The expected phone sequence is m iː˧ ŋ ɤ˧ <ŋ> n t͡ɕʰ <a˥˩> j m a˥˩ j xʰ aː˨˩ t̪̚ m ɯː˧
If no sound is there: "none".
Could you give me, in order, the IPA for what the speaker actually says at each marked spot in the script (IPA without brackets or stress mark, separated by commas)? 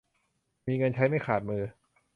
none, a˦˥